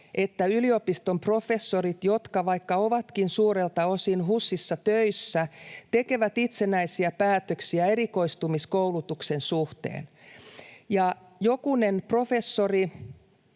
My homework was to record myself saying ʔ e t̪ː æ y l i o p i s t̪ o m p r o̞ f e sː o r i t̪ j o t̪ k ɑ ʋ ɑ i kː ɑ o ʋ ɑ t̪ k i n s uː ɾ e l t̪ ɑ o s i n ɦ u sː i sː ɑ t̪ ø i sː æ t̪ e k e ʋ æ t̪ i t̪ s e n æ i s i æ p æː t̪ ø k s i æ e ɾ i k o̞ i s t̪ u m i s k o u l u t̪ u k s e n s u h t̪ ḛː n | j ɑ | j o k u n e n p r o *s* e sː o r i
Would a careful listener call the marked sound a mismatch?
yes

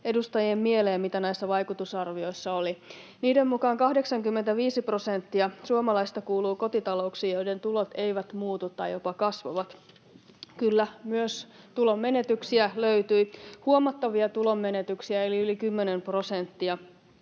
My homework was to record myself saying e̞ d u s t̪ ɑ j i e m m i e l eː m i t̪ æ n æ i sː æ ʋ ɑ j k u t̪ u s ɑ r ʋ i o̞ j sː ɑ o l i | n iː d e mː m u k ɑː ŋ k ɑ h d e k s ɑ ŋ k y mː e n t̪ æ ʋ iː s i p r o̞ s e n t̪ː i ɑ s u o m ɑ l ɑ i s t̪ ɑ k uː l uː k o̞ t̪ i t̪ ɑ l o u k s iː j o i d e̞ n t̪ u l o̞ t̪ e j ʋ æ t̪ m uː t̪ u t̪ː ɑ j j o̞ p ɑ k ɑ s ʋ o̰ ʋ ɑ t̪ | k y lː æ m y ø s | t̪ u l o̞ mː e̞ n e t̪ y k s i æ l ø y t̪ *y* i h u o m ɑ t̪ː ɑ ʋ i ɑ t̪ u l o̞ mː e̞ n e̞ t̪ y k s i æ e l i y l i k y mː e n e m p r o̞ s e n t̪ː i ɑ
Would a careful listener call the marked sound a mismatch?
no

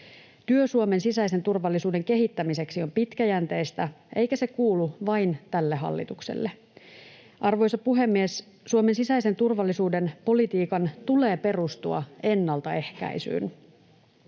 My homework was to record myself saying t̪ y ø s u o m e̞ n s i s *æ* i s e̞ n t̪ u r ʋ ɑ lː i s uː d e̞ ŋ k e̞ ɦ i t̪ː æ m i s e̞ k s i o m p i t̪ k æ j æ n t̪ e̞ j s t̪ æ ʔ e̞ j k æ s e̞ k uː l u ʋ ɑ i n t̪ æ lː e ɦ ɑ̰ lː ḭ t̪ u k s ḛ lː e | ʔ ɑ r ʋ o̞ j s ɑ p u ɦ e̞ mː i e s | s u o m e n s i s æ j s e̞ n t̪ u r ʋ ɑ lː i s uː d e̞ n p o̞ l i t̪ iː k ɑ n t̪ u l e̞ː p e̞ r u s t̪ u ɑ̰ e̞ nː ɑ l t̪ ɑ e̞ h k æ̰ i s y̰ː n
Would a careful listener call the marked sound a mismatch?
no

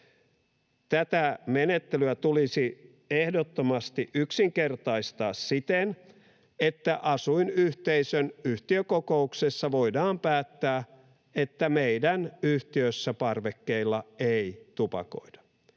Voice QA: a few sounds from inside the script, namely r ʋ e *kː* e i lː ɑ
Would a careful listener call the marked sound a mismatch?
no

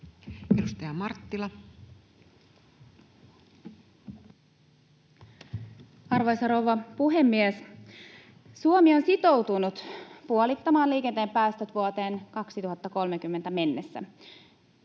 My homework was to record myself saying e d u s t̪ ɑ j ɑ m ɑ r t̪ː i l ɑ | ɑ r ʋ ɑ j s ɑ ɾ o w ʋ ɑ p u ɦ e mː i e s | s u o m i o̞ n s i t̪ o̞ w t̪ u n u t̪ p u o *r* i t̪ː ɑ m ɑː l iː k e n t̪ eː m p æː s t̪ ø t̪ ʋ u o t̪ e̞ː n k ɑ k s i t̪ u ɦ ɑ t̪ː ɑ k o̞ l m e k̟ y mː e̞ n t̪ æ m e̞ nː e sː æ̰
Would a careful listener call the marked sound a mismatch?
yes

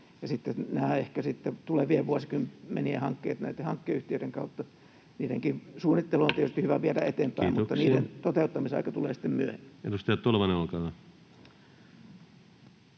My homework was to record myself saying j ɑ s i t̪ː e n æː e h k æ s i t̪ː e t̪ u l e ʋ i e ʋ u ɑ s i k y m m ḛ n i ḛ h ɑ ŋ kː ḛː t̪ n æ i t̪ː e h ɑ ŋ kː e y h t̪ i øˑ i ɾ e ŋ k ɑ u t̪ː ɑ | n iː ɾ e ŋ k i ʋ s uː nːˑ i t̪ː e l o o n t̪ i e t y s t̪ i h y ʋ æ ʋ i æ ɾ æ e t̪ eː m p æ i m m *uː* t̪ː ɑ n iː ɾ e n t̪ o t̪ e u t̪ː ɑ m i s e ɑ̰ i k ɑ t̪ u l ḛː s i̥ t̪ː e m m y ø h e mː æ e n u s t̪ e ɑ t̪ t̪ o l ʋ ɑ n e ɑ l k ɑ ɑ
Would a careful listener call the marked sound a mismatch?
yes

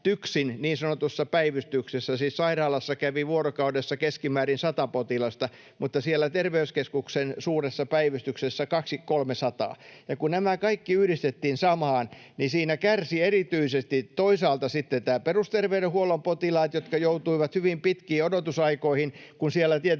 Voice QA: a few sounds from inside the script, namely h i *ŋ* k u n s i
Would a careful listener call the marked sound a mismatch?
yes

